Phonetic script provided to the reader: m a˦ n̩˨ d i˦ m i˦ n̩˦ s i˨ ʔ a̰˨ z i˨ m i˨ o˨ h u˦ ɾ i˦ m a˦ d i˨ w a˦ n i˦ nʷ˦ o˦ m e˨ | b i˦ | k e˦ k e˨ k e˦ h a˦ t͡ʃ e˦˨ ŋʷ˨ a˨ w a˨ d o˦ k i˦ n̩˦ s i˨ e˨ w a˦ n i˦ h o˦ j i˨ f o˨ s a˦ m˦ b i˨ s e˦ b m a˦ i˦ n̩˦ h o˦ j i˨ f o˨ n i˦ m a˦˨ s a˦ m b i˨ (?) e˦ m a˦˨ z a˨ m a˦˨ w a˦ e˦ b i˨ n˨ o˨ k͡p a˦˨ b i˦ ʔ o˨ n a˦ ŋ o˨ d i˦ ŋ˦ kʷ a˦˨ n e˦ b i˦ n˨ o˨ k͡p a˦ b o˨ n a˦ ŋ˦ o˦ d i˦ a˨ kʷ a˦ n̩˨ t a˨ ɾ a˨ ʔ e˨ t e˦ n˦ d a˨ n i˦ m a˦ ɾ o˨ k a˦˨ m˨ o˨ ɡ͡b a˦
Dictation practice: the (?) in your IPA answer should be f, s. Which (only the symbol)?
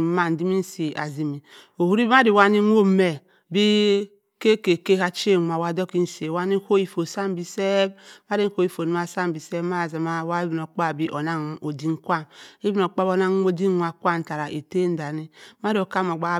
s